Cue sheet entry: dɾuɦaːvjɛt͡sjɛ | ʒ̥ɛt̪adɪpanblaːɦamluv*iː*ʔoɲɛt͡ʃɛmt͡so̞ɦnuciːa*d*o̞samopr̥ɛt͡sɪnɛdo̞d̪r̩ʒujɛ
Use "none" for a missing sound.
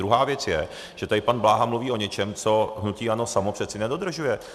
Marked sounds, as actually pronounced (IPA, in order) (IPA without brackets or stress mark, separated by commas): iː, n